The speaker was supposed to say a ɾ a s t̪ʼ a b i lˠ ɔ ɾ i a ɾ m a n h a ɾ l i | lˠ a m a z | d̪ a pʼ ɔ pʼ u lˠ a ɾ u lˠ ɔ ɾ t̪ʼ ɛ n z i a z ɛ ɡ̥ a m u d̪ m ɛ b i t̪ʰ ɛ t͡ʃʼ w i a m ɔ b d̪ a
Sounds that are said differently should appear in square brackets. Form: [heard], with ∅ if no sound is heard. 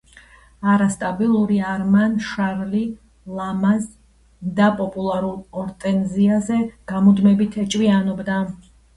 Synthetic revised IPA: a ɾ a s t̪ʼ a b i lˠ [u] ɾ i a ɾ m a n [ʃ] a ɾ l i | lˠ a m a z | d̪ a pʼ ɔ pʼ u lˠ a ɾ u lˠ ɔ ɾ t̪ʼ ɛ n z i a z ɛ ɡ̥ a m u d̪ m ɛ b i t̪ʰ ɛ t͡ʃʼ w i a [n] ɔ b d̪ a